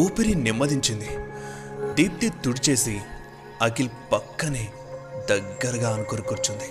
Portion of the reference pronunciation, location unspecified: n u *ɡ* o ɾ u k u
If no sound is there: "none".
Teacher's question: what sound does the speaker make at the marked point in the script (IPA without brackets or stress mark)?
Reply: k